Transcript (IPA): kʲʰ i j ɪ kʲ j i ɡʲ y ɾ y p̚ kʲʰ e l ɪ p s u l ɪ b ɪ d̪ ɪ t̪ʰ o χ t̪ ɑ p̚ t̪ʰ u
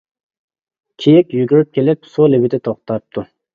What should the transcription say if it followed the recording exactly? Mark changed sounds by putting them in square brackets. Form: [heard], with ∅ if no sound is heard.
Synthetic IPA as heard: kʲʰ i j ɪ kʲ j [y] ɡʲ y ɾ y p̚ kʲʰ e l ɪ p s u l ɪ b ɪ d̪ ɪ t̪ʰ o χ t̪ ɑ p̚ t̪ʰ u